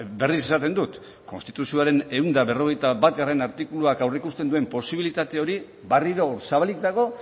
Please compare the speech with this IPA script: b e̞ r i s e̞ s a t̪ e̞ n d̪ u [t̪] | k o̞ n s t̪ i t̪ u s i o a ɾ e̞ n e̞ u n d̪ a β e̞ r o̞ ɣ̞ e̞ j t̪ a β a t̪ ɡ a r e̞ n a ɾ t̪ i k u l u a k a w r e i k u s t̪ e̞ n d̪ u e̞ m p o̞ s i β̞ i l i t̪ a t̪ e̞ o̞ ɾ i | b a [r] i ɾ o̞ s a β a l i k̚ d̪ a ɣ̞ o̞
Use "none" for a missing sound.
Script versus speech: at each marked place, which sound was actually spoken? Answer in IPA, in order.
t̪, r

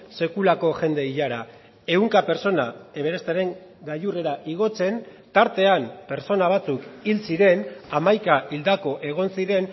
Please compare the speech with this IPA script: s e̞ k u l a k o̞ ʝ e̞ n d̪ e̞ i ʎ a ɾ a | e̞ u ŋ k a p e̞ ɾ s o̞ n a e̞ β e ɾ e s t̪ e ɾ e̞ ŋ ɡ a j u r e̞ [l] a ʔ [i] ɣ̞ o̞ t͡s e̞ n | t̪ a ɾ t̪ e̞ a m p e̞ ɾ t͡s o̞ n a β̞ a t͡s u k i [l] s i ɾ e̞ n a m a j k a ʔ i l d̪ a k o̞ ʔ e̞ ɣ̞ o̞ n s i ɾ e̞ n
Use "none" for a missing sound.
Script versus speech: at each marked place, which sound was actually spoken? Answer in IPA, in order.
ɾ, i, l

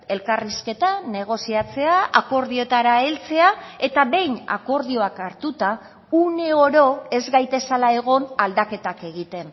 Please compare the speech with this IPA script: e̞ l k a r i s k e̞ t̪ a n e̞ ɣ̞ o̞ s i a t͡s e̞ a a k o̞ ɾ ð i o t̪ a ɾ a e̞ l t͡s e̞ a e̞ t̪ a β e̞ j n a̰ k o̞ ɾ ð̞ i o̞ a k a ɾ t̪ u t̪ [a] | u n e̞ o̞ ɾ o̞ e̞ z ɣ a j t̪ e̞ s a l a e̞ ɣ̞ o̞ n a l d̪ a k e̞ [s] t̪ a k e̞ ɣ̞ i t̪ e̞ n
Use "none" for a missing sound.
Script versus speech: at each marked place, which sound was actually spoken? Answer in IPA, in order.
a, none

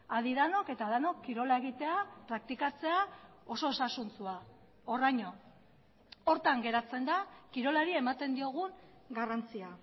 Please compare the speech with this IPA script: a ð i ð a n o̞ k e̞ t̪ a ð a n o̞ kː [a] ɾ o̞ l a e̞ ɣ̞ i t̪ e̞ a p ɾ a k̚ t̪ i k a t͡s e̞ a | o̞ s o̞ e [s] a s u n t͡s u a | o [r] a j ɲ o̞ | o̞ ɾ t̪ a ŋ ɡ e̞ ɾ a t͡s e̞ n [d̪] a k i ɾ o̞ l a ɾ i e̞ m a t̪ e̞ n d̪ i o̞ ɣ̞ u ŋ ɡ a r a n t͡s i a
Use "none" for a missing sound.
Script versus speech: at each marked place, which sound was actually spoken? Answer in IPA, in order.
i, s, r, d̪

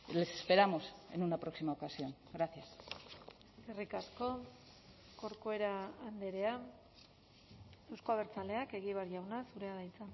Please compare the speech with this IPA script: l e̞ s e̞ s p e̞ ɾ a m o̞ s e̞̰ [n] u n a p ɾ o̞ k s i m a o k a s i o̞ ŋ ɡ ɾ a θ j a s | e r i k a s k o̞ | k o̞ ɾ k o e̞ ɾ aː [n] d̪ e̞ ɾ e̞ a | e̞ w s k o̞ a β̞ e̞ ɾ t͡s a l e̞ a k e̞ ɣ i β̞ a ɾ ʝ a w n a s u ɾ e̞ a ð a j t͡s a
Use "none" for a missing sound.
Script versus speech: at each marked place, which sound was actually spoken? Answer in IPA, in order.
n, n

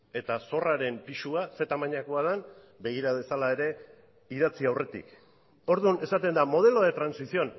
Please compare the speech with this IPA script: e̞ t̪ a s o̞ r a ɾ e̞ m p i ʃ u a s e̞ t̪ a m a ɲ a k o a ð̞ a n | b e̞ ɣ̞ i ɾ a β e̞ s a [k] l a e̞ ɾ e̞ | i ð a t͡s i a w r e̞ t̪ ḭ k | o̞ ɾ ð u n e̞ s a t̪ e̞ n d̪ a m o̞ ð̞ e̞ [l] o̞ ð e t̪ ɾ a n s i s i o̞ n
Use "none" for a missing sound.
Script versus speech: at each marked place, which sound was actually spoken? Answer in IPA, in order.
none, l

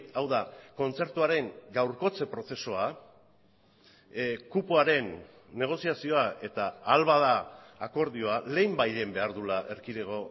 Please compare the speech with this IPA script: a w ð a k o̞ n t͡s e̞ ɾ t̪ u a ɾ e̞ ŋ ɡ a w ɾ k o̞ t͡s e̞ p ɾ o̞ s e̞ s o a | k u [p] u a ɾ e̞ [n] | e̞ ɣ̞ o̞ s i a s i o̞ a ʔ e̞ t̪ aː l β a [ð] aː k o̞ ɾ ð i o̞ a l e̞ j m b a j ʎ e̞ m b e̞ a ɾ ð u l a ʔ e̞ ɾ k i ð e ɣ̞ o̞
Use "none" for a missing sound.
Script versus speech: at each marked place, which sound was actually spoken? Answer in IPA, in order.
p, nː, ð

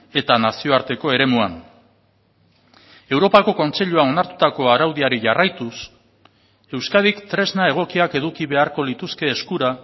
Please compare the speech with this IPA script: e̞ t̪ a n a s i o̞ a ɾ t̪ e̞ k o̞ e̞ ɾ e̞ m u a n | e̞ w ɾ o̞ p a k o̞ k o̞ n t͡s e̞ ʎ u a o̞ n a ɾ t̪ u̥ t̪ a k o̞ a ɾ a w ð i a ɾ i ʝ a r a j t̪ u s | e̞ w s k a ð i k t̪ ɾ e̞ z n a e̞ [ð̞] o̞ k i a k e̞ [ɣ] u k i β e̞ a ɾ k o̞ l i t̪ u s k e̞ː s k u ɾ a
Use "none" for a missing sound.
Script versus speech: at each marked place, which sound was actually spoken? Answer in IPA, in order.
ɣ̞, ð

